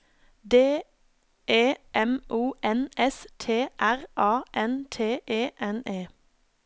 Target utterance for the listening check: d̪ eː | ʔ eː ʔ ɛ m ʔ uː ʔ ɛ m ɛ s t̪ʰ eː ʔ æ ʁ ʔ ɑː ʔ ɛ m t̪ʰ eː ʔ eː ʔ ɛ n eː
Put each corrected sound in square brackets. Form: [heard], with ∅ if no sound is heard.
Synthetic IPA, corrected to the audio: d̪ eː | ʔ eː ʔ ɛ m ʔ uː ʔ ɛ [n] ɛ s t̪ʰ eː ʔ æ ʁ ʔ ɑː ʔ ɛ [n] t̪ʰ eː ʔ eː ʔ ɛ n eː